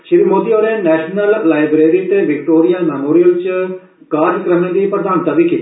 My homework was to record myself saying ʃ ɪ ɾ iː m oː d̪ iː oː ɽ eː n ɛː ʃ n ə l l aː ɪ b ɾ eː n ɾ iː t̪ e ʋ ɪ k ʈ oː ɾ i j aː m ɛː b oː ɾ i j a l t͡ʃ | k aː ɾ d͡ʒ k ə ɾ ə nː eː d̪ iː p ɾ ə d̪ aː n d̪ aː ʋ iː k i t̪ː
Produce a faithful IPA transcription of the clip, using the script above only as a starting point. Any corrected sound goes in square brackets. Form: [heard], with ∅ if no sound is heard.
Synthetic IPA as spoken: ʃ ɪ ɾ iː m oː d̪ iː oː [ɾ] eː n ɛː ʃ n ə l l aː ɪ b ɾ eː [∅] ɾ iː t̪ e ʋ ɪ k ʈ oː ɾ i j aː m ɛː [m] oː ɾ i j [ə] l t͡ʃ | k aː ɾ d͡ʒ k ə ɾ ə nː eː d̪ iː p ɾ ə d̪ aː n [t̪] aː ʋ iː k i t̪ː

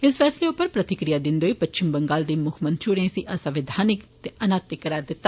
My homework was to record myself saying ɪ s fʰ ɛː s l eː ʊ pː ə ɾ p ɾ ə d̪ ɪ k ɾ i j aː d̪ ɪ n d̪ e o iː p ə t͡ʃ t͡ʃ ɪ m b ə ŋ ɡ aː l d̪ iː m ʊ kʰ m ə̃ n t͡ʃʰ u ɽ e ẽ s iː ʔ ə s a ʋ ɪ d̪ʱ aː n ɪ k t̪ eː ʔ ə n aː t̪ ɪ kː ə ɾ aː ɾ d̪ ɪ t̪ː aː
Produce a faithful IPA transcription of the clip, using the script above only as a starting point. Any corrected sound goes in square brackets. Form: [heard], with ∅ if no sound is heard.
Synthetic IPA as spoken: ɪ s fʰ ɛː s l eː ʊ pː ə ɾ p ɾ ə [t̪] ɪ k ɾ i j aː d̪ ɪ n d̪ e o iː p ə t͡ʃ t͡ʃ ɪ m b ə ŋ ɡ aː l d̪ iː m ʊ kʰ m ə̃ n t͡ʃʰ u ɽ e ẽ s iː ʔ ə s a ʋ ɪ d̪ʱ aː n ɪ k t̪ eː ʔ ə n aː t̪ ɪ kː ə ɾ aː ɾ d̪ ɪ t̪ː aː

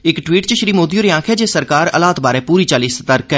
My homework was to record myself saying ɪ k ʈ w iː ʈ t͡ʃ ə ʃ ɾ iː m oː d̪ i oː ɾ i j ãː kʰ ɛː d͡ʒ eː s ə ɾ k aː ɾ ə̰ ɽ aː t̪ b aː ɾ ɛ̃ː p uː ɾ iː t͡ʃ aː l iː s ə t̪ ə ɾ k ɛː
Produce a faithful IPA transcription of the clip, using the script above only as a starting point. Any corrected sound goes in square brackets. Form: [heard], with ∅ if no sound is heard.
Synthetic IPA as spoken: ɪ k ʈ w iː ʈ t͡ʃ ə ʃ ɾ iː m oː d̪ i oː ɾ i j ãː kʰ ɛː d͡ʒ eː s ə ɾ k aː ɾ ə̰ [l] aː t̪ b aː ɾ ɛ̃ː p uː ɾ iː t͡ʃ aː l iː s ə t̪ ə ɾ k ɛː

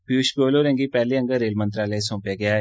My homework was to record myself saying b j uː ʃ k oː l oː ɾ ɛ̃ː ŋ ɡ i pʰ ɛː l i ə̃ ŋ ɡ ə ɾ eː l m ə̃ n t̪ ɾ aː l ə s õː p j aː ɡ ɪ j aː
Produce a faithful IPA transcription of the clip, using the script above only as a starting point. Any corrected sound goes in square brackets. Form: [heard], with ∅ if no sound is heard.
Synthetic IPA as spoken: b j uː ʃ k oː l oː ɾ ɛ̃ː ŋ ɡ i [p] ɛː l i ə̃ ŋ ɡ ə ɾ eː l m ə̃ n t̪ ɾ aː l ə s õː p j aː ɡ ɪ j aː

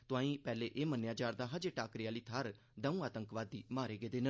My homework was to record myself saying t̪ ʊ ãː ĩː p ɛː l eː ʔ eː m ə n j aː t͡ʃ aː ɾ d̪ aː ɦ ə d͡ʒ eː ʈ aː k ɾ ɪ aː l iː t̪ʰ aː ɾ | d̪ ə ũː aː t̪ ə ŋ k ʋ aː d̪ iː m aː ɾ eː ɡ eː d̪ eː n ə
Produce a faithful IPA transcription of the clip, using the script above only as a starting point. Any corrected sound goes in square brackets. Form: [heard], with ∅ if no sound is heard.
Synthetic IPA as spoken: t̪ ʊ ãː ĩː p ɛː l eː ʔ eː m ə n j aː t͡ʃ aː ɾ d̪ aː ɦ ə d͡ʒ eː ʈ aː k ɾ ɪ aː l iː t̪ʰ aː ɾ | d̪ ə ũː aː t̪ ə ŋ k ʋ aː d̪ iː m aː ɾ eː ɡ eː d̪ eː n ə

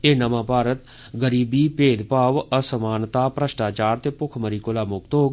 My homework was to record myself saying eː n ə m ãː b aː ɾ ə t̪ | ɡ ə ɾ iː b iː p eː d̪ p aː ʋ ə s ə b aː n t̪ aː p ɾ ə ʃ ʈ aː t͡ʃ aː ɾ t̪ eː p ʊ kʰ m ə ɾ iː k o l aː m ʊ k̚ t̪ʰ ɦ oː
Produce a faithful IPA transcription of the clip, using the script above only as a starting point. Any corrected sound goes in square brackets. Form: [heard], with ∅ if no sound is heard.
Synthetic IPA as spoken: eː n ə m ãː [p] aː ɾ ə t̪ | ɡ ə ɾ iː b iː p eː d̪ p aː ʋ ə s ə [m] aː n t̪ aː p ɾ ə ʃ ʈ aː t͡ʃ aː ɾ t̪ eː p ʊ kʰ m ə ɾ iː k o l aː m ʊ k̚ [t̪] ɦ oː

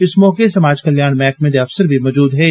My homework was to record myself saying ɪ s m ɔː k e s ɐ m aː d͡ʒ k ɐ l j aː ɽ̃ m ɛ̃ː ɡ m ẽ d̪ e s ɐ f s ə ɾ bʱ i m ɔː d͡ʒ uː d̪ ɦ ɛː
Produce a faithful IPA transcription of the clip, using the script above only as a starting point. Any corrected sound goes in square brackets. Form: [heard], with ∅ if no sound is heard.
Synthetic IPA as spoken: ɪ s m ɔː k e s ɐ m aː d͡ʒ k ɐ l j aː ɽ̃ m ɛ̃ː [k] m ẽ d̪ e [∅] ɐ f s ə ɾ bʱ i m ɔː d͡ʒ uː d̪ ɦ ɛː

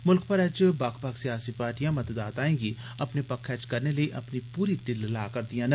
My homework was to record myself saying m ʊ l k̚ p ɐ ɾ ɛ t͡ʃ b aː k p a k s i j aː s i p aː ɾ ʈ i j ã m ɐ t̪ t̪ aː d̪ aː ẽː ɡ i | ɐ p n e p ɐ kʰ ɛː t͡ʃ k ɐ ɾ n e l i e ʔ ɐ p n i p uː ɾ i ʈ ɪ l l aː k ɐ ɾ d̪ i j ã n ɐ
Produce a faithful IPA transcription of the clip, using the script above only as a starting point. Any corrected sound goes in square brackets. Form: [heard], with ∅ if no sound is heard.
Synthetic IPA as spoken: m ʊ l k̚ p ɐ ɾ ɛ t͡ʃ b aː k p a k s i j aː s i p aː ɾ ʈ i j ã m ɐ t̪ [d̪] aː [t̪] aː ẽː ɡ i | ɐ p n e p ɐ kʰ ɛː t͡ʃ k ɐ ɾ n e l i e ʔ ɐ p n i p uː ɾ i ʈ ɪ l l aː k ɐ ɾ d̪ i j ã n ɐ

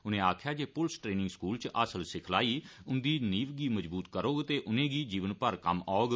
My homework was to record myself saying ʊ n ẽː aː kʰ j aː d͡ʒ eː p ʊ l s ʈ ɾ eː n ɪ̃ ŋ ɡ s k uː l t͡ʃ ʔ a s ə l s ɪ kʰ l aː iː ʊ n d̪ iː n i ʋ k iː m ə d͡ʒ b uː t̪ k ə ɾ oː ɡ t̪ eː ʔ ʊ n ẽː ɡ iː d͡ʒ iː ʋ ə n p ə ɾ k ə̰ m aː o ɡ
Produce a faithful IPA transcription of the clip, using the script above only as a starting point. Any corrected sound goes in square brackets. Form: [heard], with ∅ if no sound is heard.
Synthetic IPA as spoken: ʊ n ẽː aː kʰ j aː d͡ʒ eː p ʊ l s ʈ ɾ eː n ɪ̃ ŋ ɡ s k uː l t͡ʃ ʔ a s ə l s ɪ kʰ l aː iː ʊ n d̪ iː n [iː] ʋ [ɡ] iː m ə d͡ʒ b uː t̪ k ə ɾ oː ɡ t̪ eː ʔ ʊ n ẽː ɡ iː d͡ʒ iː ʋ ə n p ə ɾ k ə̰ m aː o ɡ

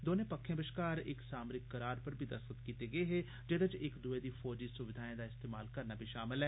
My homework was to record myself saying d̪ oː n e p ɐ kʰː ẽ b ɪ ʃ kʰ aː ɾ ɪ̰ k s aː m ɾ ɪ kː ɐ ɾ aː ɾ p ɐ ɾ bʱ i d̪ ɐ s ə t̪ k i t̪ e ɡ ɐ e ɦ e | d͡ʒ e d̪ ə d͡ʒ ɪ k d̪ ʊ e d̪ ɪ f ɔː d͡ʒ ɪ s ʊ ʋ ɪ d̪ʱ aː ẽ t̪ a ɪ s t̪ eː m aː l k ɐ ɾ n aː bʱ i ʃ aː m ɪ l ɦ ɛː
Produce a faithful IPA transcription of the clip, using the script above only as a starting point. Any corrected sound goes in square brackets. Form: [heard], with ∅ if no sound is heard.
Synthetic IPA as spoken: d̪ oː n e p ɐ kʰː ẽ b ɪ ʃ [k] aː ɾ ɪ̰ k s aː m ɾ ɪ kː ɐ ɾ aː ɾ p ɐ ɾ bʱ i d̪ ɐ s ə t̪ k [iː] t̪ e ɡ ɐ e ɦ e | d͡ʒ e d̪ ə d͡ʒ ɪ k d̪ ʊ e d̪ [i] f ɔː d͡ʒ [i] s ʊ ʋ ɪ d̪ʱ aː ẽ [d̪] a ɪ s t̪ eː m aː l k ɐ ɾ n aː bʱ i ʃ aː m ɪ l ɦ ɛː

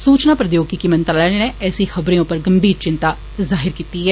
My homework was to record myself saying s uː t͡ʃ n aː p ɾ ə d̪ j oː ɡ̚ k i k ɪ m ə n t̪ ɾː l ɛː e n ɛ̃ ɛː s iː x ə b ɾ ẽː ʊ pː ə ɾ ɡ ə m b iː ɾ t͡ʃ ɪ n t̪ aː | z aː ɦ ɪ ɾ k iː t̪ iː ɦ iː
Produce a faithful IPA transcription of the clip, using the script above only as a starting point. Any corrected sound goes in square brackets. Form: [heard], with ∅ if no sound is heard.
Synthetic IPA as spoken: s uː t͡ʃ n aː p ɾ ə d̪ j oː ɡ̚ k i k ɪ m ə n t̪ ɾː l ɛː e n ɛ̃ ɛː s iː x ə b ɾ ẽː ʊ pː ə ɾ ɡ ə m b iː ɾ t͡ʃ ɪ n t̪ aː | z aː ɦ ɪ ɾ k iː t̪ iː ɦ [ɛː]

